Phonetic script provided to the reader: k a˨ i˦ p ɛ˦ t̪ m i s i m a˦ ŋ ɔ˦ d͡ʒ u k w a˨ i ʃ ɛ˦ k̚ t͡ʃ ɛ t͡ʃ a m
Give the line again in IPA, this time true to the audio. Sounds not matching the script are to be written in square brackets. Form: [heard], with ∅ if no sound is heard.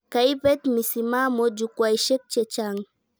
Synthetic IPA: k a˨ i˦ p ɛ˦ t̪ m i s i m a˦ [m] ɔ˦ d͡ʒ u k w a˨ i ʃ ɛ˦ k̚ t͡ʃ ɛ t͡ʃ a [ŋ]